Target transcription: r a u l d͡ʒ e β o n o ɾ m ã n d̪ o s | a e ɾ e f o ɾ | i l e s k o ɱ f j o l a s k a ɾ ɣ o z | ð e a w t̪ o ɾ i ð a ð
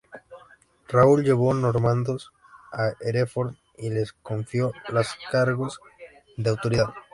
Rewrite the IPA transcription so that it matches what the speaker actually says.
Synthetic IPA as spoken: r a u l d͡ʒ e β o n o ɾ m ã n d̪ o s | a e ɾ e f o ɾ | i l e s k o ɱ f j o l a s k a ɾ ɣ o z | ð e a w t̪ o ɾ i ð a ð